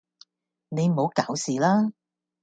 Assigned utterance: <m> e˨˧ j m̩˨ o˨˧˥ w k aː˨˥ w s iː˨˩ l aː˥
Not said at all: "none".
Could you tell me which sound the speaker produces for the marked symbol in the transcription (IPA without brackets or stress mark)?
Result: n